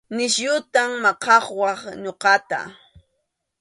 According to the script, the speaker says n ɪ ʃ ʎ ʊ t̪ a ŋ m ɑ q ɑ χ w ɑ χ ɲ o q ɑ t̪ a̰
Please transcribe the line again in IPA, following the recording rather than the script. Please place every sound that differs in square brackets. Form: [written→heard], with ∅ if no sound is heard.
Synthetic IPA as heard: n ɪ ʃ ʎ ʊ t̪ a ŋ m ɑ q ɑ χ w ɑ χ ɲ o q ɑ t̪ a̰